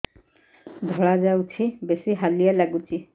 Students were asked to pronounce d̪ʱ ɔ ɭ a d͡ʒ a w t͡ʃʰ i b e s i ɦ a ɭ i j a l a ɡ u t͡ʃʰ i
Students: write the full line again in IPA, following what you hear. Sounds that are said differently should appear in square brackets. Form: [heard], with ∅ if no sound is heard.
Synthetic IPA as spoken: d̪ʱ ɔ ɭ a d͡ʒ a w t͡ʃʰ i b e s i ɦ a [l] i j a l a ɡ u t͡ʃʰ i